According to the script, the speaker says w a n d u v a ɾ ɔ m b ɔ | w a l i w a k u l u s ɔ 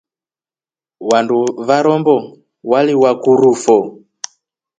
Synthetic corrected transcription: w a n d u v a ɾ ɔ m b ɔ | w a l i w a k u ɾ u f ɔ